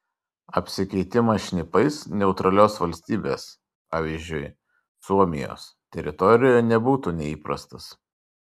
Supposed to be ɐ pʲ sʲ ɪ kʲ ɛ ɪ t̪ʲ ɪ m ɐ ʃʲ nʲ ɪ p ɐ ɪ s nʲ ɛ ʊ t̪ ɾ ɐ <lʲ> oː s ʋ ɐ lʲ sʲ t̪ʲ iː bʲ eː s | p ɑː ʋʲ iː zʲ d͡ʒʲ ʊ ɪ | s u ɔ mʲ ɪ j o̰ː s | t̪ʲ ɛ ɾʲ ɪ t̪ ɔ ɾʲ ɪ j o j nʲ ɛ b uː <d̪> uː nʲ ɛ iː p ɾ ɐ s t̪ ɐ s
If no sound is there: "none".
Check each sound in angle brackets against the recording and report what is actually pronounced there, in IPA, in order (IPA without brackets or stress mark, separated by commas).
lʲ, t̪